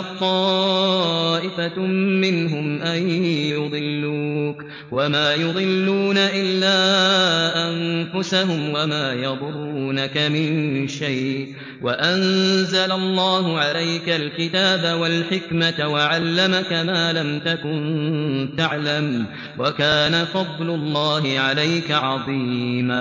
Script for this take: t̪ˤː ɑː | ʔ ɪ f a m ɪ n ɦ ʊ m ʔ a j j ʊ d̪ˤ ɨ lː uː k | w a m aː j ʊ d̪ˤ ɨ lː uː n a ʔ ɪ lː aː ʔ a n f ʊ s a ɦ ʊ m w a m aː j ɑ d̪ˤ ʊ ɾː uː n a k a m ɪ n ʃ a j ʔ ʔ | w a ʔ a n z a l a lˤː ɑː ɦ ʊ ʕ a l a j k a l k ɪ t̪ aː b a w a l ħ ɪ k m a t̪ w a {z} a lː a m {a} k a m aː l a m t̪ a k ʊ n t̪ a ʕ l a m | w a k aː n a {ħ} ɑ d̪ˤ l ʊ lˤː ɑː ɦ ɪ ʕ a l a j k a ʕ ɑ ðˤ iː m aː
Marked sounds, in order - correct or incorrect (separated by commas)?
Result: incorrect, correct, incorrect